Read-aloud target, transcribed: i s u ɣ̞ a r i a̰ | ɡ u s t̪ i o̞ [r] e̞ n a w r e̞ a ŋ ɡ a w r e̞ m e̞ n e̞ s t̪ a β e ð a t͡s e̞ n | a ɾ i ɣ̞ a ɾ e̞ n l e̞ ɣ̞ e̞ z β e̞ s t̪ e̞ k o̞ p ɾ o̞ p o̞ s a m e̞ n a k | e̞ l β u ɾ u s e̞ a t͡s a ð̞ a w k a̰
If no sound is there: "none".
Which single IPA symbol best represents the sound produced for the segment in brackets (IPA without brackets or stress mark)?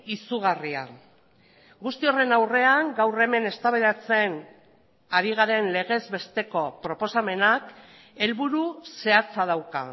r